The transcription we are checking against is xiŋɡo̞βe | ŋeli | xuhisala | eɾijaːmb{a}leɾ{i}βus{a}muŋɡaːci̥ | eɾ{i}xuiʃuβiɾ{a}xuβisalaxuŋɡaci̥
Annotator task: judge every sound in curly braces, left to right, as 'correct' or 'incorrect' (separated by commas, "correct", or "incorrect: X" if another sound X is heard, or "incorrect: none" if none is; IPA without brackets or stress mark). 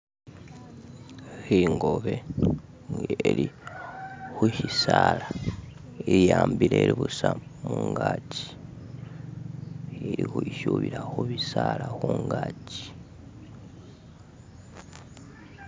incorrect: i, correct, correct, correct, correct